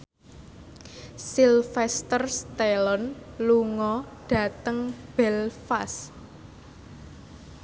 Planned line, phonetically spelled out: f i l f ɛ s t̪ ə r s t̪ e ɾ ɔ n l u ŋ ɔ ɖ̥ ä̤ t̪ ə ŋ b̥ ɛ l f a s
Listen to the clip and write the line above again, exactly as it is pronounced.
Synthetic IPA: s i l f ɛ s t̪ ə r s t̪ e l ɔ n l u ŋ ɔ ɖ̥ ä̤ t̪ ə ŋ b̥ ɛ l f a s